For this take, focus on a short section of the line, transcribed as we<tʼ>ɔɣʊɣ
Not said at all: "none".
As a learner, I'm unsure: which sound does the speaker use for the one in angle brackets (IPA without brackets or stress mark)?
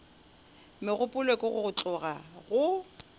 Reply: kʼ